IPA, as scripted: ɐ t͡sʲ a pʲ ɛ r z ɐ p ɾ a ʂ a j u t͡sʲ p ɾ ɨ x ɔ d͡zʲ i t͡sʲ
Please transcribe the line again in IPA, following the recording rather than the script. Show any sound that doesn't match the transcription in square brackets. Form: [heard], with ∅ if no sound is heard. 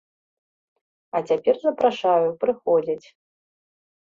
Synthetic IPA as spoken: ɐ t͡sʲ a pʲ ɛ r z ɐ p ɾ a ʂ a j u [∅] p ɾ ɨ x ɔ d͡zʲ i t͡sʲ